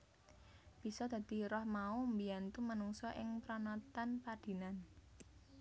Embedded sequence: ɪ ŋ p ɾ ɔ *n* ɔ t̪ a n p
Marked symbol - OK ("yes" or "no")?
yes